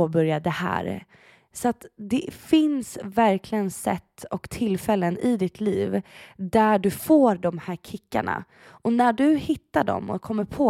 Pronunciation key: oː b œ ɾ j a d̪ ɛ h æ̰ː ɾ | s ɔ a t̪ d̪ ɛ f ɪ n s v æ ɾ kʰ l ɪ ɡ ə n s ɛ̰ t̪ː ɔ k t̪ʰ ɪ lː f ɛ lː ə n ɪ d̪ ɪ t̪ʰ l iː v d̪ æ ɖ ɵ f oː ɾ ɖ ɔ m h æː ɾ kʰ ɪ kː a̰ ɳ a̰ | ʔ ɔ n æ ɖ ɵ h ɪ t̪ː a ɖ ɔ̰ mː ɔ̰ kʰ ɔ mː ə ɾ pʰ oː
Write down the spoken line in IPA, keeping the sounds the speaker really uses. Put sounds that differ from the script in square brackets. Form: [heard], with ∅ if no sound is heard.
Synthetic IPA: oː b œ ɾ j a d̪ ɛ h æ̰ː ɾ | s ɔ a t̪ d̪ ɛ f ɪ n s v æ ɾ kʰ l ɪ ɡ ə n s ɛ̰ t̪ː ɔ k t̪ʰ ɪ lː f ɛ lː ə n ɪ d̪ ɪ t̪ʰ l iː v d̪ æ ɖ ɵ f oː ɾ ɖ ɔ m h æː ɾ kʰ ɪ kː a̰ ɳ a̰ | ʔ ɔ n æ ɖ ɵ h ɪ t̪ː a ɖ ɔ̰ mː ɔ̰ kʰ ɔ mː ə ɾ pʰ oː